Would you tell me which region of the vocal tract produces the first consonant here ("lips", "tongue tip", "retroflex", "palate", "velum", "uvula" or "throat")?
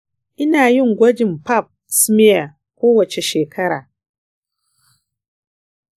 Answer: tongue tip